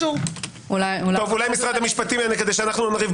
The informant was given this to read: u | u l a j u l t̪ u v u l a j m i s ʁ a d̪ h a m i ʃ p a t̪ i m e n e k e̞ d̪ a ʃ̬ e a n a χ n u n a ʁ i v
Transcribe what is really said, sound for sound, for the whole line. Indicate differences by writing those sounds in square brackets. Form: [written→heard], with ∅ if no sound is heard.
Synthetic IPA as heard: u | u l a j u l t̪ [u→o] v u l a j m i s ʁ a d̪ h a m i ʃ p a t̪ i m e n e k e̞ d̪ [a→e] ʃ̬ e a n a χ n u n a ʁ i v